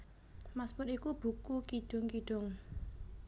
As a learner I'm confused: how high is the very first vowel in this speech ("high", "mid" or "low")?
low